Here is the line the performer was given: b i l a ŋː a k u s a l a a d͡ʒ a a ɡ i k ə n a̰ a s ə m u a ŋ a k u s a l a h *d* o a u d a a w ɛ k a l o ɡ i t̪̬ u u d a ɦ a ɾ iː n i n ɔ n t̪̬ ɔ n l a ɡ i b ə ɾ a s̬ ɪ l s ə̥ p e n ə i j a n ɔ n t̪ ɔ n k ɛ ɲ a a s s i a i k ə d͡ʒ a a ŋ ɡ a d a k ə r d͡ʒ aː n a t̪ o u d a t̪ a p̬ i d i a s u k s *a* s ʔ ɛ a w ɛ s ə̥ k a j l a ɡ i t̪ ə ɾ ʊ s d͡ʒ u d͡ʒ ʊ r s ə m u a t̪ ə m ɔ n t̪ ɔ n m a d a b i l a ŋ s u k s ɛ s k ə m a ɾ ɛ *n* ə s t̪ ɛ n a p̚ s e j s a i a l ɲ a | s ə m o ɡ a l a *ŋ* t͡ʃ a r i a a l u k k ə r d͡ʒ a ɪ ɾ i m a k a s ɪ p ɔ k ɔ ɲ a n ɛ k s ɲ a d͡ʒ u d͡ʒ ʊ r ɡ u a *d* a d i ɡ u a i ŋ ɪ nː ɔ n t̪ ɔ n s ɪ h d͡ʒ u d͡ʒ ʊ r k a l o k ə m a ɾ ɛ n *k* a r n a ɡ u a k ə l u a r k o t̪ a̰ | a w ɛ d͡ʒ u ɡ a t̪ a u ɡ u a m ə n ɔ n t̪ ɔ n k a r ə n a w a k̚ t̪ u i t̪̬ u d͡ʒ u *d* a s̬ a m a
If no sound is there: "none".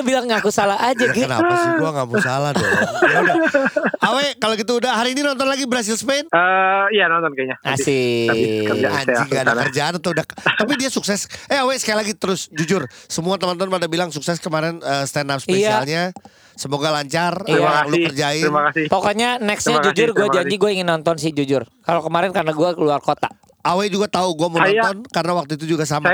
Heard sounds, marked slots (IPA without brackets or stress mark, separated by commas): d, ɛ, n, ɲ, d͡ʒ, k, ɡ